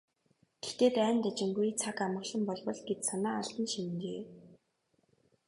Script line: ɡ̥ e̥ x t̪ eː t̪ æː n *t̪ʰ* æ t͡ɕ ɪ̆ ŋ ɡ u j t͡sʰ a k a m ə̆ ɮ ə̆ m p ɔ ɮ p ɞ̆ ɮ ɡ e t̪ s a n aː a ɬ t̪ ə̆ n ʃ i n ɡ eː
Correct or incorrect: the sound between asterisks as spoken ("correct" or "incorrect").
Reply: incorrect